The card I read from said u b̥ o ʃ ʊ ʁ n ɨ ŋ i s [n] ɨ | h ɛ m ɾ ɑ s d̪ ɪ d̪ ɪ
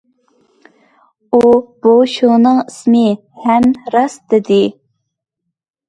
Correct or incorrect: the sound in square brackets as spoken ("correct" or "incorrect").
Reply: incorrect